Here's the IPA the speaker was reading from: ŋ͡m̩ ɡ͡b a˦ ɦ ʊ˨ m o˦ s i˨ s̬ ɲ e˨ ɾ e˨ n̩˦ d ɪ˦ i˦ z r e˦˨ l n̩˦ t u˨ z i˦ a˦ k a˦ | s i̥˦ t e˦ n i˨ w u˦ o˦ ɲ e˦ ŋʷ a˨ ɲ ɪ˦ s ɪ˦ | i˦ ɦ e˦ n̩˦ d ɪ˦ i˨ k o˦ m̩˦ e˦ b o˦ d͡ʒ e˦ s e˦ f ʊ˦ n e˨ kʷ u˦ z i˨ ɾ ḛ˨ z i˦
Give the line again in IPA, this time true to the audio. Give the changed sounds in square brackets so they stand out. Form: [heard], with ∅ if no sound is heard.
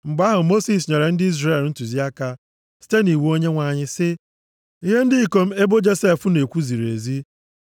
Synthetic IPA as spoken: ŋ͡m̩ ɡ͡b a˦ ɦ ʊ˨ m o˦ s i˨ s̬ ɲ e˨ ɾ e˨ n̩˦ d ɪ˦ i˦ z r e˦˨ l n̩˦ t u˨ z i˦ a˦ k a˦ | s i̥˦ t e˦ n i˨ w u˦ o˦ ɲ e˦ ŋʷ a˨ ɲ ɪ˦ s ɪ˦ | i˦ ɦ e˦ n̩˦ d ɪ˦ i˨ k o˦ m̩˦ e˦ b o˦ d͡ʒ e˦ s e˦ f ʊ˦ n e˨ kʷ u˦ z i˨ ɾ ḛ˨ z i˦